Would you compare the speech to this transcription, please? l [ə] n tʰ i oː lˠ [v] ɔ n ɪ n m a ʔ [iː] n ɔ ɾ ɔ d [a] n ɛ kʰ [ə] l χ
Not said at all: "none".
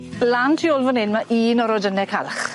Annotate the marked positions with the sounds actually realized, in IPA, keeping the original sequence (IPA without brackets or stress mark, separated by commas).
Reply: a, v, iː, ə, a